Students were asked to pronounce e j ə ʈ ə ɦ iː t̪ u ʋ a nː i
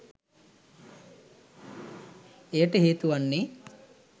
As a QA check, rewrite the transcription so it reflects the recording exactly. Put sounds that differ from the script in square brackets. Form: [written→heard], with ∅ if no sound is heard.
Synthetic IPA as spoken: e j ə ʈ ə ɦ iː t̪ u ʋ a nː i